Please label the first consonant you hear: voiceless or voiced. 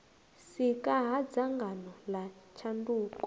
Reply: voiceless